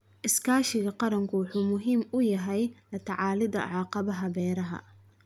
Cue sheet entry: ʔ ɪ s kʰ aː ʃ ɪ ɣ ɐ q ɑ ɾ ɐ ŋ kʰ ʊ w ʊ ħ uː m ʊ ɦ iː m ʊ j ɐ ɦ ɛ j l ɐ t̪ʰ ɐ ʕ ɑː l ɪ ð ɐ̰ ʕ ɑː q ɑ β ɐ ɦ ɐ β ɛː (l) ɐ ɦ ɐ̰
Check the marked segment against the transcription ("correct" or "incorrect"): incorrect